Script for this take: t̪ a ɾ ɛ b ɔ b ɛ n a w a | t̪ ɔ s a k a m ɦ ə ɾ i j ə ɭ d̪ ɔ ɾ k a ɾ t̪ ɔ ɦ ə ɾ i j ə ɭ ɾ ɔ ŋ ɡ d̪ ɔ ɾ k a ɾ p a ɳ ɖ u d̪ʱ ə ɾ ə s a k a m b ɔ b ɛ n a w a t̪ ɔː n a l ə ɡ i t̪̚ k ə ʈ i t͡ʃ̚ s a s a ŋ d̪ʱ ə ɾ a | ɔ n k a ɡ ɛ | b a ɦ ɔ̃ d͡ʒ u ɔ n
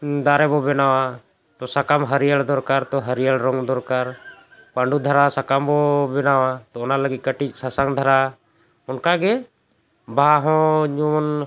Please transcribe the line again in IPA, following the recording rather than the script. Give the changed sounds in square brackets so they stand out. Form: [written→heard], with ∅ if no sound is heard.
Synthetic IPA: [t̪→d̪] a ɾ ɛ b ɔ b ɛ n a w a | t̪ ɔ s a k a m ɦ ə ɾ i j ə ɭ d̪ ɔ ɾ k a ɾ t̪ ɔ ɦ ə ɾ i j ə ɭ ɾ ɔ ŋ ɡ d̪ ɔ ɾ k a ɾ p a ɳ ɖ u d̪ʱ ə ɾ [ə→a] s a k a m b ɔ b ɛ n a w a t̪ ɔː n a l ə ɡ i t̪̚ k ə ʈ i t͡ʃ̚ s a s a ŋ d̪ʱ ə ɾ a | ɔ n k a ɡ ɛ | b a ɦ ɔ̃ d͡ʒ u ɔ n